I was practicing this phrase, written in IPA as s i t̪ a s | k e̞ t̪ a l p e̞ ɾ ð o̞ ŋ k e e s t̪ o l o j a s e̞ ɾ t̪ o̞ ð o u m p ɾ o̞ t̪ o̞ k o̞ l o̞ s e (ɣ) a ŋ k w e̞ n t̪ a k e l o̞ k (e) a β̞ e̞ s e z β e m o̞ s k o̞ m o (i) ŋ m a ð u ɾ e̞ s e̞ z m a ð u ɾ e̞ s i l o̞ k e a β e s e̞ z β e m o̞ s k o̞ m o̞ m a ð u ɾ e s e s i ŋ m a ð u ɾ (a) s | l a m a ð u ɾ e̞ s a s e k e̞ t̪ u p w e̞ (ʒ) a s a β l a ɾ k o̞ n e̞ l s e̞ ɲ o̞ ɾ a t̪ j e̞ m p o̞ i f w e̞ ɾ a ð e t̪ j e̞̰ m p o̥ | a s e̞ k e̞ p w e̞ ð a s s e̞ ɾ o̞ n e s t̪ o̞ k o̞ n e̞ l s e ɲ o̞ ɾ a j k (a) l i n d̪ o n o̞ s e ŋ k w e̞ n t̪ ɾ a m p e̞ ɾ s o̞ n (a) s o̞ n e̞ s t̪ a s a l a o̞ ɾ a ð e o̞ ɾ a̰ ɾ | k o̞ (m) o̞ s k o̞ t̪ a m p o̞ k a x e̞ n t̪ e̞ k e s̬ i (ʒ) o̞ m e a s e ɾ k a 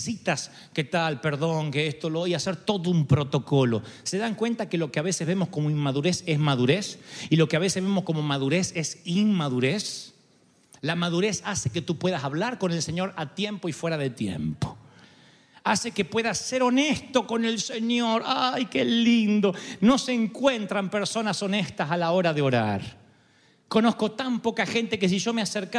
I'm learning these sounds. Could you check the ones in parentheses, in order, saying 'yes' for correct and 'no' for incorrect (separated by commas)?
no, yes, yes, no, no, no, yes, no, yes